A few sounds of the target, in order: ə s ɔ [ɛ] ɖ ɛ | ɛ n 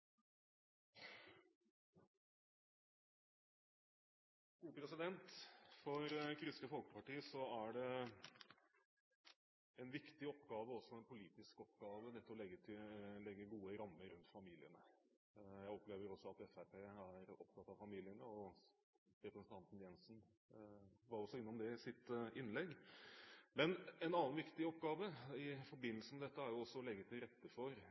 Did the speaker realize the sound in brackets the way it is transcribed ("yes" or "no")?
no